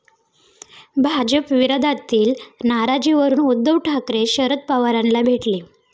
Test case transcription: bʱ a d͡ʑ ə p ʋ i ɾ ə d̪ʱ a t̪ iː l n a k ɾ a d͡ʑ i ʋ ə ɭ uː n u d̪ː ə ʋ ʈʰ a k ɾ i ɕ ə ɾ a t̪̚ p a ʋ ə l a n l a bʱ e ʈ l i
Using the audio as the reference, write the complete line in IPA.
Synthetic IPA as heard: bʱ a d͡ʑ ə p ʋ i ɾ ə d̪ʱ a t̪ iː l n a ɾ a d͡ʑ i ʋ ə ɾ uː n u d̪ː ə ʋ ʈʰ a k ɾ e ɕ ə ɾ ə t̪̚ p a ʋ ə ɾ a n l a bʱ e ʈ l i

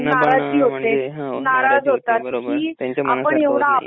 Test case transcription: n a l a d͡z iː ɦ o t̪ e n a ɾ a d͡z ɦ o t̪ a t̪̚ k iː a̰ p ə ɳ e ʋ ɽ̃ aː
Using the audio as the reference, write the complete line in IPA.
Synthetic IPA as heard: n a ɾ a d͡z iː ɦ o t̪ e n a ɾ a d͡z ɦ o t̪ a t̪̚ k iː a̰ p ə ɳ e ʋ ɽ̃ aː

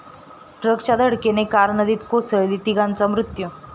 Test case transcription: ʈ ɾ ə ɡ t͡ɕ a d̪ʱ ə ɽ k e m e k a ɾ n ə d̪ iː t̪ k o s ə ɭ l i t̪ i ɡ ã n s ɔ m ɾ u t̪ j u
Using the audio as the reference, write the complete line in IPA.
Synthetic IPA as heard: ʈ ɾ ə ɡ t͡ɕ a d̪ʱ ə ɽ k e n e k a ɾ n ə d̪ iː t̪ k o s ə ɭ l i t̪ i ɡ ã n t͡s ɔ m ɾ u t̪ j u

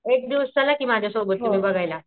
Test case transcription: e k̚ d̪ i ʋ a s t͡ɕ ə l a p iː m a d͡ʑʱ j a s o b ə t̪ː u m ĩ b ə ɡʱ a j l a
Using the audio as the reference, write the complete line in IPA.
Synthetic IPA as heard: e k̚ d̪ i ʋ ə s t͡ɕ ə l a k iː m a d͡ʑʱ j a s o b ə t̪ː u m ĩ b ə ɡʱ a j l a

